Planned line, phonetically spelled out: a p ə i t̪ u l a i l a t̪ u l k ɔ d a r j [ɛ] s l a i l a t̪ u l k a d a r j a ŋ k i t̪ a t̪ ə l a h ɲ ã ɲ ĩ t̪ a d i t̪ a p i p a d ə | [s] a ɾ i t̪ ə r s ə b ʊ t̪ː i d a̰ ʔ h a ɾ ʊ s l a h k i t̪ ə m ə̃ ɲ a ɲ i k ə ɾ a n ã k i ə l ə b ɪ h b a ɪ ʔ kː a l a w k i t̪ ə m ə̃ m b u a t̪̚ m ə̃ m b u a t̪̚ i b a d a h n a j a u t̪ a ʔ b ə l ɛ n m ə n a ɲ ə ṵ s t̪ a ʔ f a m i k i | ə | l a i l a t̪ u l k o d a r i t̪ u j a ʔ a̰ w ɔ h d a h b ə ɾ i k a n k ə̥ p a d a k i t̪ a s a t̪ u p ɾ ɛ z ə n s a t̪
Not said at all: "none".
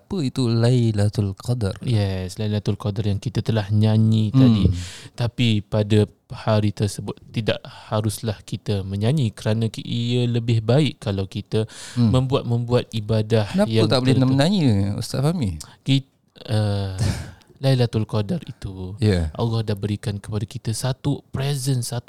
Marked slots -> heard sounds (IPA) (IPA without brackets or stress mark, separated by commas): ɛ, h